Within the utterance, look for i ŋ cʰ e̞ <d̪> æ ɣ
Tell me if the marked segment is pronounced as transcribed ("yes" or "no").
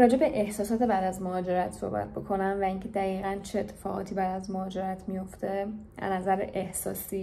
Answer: yes